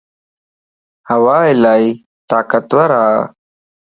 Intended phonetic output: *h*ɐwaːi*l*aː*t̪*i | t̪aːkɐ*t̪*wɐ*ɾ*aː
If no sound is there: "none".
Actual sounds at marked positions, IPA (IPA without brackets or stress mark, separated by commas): h, l, none, t̪, ɾ